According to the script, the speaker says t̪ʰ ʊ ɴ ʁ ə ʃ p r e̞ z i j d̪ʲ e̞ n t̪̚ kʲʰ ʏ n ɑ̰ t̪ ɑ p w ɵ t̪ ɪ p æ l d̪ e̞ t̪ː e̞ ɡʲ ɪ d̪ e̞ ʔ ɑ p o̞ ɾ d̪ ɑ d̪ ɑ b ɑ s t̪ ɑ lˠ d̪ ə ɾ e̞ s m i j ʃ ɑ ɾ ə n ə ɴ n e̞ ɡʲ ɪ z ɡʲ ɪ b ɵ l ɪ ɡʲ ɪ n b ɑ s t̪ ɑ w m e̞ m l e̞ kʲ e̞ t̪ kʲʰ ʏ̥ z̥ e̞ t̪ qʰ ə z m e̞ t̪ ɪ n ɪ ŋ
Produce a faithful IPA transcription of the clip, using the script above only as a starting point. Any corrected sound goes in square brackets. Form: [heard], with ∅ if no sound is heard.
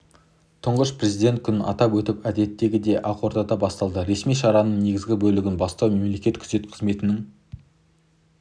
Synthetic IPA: t̪ʰ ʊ ɴ ʁ ə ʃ p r e̞ z i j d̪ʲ e̞ n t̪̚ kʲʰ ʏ n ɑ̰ t̪ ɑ p w ɵ t̪ ɪ p æ [∅] d̪ e̞ t̪ː e̞ ɡʲ ɪ d̪ e̞ ʔ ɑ [q] o̞ ɾ d̪ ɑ d̪ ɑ b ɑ s t̪ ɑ lˠ d̪ ə ɾ e̞ s m i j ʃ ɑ ɾ [ɑ] n ə ɴ n e̞ ɡʲ ɪ z ɡʲ ɪ b ɵ l ɪ ɡʲ ɪ n b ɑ s t̪ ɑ w m e̞ m l e̞ kʲ e̞ t̪ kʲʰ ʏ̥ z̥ e̞ t̪ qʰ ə z m e̞ t̪ ɪ n ɪ ŋ